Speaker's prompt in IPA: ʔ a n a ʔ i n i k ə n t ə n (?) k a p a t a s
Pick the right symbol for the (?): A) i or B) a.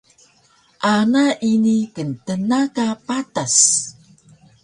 B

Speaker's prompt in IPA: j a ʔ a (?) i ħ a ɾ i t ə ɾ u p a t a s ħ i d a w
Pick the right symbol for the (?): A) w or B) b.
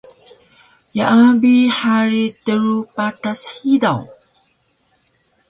B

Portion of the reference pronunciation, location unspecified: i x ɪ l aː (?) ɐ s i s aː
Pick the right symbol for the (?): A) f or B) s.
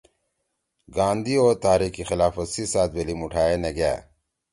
A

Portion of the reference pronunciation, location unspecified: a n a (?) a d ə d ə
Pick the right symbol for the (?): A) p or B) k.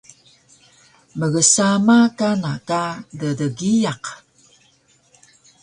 B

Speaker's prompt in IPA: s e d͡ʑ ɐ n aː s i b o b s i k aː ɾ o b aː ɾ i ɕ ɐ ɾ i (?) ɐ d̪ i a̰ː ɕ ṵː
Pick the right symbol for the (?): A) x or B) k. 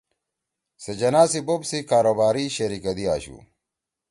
B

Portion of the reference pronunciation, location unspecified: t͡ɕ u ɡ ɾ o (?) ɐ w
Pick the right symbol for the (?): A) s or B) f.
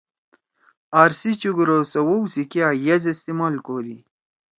A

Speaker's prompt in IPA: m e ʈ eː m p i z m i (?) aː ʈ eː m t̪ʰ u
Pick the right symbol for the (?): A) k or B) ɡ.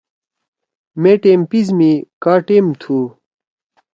A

